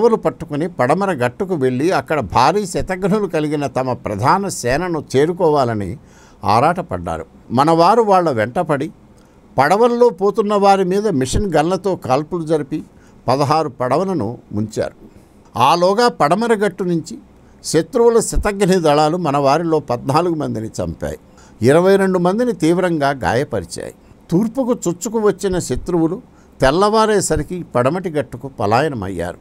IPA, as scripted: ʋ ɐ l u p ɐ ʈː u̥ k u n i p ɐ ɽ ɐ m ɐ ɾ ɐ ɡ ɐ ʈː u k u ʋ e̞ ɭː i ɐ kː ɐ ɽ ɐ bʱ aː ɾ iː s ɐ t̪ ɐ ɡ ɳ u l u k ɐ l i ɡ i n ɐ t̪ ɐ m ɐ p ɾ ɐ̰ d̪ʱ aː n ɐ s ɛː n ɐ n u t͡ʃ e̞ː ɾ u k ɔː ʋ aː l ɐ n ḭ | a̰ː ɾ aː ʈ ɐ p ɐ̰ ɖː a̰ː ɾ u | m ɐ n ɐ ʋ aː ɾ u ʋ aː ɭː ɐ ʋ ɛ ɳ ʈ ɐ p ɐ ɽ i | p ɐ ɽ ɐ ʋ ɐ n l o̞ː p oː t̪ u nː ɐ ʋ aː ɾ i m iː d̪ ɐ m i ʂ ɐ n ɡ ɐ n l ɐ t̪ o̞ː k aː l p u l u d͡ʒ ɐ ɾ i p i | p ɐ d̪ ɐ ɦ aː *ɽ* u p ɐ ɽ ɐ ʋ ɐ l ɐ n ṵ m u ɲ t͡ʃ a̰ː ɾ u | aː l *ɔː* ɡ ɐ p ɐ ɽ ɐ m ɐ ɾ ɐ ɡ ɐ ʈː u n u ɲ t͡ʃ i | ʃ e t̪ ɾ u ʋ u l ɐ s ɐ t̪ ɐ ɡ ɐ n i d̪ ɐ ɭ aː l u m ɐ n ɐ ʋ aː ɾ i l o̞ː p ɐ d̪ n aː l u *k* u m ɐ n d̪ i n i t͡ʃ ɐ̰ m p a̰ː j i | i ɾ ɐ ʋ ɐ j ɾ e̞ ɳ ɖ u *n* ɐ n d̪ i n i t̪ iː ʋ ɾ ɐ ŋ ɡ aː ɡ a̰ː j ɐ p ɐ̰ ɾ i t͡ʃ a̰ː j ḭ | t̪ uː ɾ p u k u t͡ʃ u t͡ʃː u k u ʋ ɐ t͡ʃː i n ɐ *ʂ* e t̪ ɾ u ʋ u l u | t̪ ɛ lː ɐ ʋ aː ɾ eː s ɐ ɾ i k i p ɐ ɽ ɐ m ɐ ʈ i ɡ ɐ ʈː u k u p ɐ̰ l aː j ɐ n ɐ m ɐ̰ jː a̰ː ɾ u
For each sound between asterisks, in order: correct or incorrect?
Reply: incorrect, correct, incorrect, incorrect, incorrect

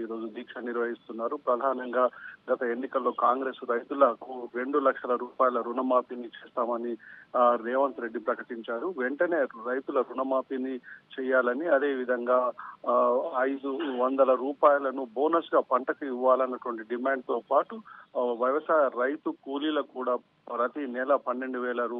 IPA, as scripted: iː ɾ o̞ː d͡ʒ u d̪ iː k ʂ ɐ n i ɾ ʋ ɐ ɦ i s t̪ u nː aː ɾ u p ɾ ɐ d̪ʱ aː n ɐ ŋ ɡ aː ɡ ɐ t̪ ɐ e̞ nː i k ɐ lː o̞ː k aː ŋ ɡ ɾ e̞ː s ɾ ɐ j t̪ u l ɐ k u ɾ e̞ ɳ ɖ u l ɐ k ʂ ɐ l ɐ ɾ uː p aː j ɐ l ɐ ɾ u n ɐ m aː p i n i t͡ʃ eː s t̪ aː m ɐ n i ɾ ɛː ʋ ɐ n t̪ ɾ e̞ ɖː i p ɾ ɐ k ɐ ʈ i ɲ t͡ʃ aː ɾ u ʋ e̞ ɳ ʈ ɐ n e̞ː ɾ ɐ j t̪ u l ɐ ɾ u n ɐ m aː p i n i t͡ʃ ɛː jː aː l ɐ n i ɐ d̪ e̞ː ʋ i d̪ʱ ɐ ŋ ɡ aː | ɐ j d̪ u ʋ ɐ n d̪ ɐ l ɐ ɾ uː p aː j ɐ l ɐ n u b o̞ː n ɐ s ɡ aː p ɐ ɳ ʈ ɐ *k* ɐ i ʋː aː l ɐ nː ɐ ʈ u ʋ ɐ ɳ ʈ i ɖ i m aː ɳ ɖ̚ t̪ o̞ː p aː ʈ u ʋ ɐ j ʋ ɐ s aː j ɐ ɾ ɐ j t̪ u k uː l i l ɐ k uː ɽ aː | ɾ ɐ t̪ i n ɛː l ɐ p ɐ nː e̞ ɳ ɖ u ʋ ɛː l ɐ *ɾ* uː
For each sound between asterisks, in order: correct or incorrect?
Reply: correct, correct

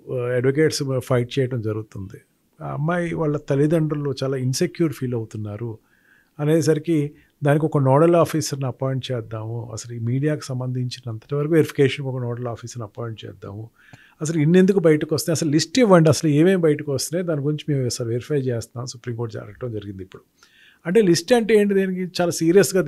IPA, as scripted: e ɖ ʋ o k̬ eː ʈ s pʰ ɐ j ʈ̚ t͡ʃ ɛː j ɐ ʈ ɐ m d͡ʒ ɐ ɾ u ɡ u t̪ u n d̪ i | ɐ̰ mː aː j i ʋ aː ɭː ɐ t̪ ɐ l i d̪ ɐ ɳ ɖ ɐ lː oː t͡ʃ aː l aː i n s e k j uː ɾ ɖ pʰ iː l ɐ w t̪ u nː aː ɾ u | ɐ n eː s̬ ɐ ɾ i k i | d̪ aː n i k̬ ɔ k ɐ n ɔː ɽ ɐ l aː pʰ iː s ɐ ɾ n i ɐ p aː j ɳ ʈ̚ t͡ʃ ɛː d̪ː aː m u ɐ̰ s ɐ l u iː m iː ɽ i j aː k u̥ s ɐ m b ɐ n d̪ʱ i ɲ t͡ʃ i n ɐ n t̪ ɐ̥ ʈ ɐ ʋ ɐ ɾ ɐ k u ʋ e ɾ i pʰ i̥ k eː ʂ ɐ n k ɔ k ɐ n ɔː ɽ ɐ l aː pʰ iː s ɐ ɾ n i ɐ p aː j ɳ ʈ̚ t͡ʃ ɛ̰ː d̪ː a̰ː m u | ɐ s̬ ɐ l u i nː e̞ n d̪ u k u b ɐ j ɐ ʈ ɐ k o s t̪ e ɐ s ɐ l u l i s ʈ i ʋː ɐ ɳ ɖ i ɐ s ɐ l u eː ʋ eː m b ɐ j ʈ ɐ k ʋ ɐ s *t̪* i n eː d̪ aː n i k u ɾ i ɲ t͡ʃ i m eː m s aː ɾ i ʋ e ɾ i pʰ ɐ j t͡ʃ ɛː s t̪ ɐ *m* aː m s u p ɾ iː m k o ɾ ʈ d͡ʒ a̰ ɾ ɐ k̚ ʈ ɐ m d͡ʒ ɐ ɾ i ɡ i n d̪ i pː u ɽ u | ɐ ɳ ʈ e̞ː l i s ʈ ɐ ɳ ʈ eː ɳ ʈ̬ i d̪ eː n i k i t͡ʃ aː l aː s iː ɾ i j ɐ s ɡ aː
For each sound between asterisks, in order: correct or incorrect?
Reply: correct, incorrect

